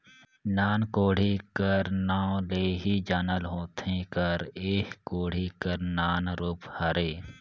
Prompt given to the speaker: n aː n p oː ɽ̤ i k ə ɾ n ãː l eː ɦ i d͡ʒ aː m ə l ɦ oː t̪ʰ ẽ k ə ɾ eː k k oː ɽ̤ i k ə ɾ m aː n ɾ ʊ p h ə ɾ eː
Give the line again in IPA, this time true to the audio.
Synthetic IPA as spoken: n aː n k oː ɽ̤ i k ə ɾ n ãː l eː ɦ i d͡ʒ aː n ə l ɦ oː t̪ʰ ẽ k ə ɾ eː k k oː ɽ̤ i k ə ɾ n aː n ɾ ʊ p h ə ɾ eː